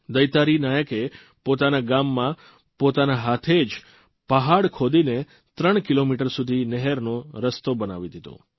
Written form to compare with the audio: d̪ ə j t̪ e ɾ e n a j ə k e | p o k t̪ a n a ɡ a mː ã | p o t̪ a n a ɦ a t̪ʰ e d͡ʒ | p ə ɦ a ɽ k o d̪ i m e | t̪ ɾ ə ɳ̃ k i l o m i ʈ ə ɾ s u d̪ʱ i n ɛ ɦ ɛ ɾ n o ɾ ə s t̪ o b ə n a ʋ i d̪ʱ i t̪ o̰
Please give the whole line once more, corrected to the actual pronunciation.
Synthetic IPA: d̪ ə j t̪ a ɾ i n a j ə k e | p o t̪ a n a ɡ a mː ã | p o t̪ a n a ɦ a t̪ʰ e d͡ʒ | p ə ɦ a ɽ kʰ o d̪ i n e | t̪ ɾ ə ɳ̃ k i l o m i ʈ ə ɾ s u d̪ʱ i n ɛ ɦ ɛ ɾ n o ɾ ə s t̪ o b ə n a ʋ i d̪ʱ i t̪ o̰